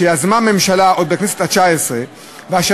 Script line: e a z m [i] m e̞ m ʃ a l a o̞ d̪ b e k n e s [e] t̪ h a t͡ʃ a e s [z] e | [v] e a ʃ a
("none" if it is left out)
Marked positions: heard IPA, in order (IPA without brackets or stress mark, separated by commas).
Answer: a, e, ʁ, v